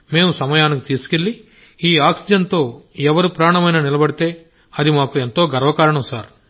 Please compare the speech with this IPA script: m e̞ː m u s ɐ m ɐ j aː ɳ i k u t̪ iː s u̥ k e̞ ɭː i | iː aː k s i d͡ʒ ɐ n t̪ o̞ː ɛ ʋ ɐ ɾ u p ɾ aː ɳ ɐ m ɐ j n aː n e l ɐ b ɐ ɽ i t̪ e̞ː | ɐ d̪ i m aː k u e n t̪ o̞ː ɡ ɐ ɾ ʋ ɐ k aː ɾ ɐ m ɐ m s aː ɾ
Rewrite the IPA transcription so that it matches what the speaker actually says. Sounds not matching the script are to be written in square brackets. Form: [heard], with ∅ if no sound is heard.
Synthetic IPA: m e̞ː m u s ɐ m ɐ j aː [n] i k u t̪ iː s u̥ k e̞ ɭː i | iː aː k s i d͡ʒ ɐ n t̪ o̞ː ɛ ʋ ɐ ɾ u p ɾ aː ɳ ɐ m ɐ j n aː n [i] l ɐ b ɐ ɽ i t̪ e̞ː | ɐ d̪ i m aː k u e n t̪ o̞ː ɡ ɐ ɾ ʋ ɐ k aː ɾ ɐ [ɳ] ɐ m s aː ɾ

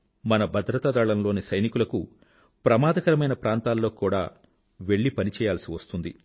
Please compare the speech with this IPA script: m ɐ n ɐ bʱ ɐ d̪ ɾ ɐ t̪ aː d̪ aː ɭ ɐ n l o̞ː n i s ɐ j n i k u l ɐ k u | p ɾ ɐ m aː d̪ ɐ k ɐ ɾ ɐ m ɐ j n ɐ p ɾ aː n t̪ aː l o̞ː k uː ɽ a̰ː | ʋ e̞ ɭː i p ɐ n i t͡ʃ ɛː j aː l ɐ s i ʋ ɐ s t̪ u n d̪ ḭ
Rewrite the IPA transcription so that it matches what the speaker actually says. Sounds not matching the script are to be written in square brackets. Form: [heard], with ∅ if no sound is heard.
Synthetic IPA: m ɐ n ɐ bʱ ɐ d̪ ɾ ɐ t̪ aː d̪ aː ɭ ɐ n l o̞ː n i s ɐ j n i k u l ɐ k u | p ɾ ɐ m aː d̪ ɐ k ɐ ɾ ɐ m ɐ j n ɐ p ɾ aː n t̪ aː [lː] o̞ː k uː ɽ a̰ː | ʋ e̞ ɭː i p ɐ n i t͡ʃ ɛː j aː l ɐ s i ʋ ɐ s t̪ u n d̪ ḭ

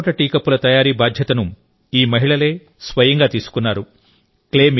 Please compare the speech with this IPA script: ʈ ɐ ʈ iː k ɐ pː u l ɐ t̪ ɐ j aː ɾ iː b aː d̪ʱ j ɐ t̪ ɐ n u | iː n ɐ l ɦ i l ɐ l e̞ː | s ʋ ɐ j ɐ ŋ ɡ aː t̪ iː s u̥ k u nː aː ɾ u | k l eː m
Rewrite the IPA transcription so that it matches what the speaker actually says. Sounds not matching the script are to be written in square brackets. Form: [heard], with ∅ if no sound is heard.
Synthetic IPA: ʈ ɐ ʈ iː k ɐ pː u l ɐ t̪ ɐ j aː ɾ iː b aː d̪ʱ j ɐ t̪ ɐ n u | iː [m] ɐ [∅] ɦ i [ɭ] ɐ l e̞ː | s ʋ ɐ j ɐ ŋ ɡ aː t̪ iː s u̥ k u nː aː ɾ u | k l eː m

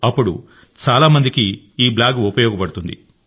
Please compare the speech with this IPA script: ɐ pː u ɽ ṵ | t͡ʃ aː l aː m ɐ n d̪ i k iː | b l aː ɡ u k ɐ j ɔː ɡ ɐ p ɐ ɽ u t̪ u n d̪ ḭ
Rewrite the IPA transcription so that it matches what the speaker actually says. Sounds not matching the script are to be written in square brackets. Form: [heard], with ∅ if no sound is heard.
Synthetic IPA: ɐ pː u ɽ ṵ | t͡ʃ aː l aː m ɐ n d̪ i k iː | b l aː ɡ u [p] ɐ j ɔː ɡ ɐ p ɐ ɽ u t̪ u n d̪ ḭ

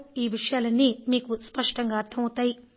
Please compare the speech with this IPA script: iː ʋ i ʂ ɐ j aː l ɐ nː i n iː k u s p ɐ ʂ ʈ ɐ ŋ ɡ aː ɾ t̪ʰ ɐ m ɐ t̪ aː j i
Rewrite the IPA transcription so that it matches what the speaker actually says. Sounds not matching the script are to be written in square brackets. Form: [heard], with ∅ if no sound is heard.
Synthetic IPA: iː ʋ i ʂ ɐ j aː l ɐ nː i [m] iː k u s p ɐ ʂ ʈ ɐ ŋ ɡ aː ɾ t̪ʰ ɐ m ɐ t̪ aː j i

